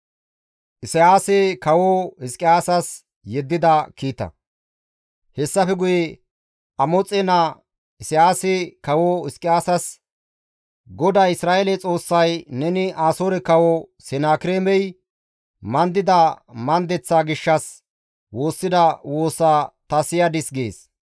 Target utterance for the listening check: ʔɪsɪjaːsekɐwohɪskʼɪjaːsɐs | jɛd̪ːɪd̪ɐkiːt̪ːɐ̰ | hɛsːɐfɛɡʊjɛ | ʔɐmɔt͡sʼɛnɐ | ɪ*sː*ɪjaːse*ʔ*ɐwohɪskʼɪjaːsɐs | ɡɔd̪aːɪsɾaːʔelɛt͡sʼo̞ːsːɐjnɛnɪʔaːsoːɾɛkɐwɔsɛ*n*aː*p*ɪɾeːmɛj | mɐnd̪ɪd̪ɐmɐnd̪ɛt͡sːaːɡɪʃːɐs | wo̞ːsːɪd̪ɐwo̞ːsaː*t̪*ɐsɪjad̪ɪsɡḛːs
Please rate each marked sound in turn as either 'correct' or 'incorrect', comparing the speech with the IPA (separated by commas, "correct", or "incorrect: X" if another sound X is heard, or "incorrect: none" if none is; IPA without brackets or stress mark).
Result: incorrect: s, incorrect: k, correct, incorrect: k, correct